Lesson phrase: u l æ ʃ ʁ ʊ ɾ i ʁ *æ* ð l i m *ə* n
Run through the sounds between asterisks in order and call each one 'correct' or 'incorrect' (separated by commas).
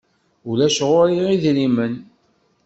incorrect, correct